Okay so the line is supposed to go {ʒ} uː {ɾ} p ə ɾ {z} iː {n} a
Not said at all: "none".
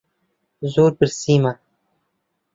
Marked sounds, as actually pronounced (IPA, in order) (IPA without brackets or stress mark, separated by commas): z, ɾ, s, m